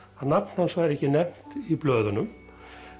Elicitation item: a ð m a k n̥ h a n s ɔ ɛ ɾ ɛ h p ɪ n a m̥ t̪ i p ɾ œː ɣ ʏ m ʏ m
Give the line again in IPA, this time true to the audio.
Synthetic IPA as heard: a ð n a p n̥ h a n s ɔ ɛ ɾ ɛ h c ɪ n ɛ m̥ t̪ i p l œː ð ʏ n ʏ m